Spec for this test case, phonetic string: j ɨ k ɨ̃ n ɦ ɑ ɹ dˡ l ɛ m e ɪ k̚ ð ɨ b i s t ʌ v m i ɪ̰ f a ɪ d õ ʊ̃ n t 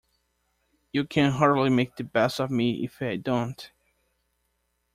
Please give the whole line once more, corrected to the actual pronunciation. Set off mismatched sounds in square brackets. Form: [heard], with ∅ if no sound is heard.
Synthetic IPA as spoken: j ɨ [kʰ] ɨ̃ n ɦ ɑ ɹ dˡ l [i] m e ɪ k̚ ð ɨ b [ɛ] s t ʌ v m i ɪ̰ f a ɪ d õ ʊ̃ n t